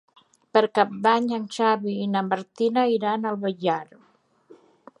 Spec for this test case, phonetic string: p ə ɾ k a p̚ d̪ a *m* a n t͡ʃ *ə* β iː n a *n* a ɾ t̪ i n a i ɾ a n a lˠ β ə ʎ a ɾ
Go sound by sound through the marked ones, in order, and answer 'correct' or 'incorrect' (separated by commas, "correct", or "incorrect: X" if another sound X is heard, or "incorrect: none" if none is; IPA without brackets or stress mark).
incorrect: ɲ, incorrect: a, incorrect: m